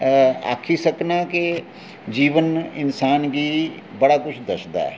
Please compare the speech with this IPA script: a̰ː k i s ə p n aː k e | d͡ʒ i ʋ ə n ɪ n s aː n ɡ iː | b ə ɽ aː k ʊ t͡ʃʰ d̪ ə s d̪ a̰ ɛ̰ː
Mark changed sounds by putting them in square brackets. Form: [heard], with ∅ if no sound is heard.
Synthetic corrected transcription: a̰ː [kʰ] i s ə [k] n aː k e | d͡ʒ [iː] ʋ ə n ɪ n s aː n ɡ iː | b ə ɽ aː k ʊ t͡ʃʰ d̪ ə s d̪ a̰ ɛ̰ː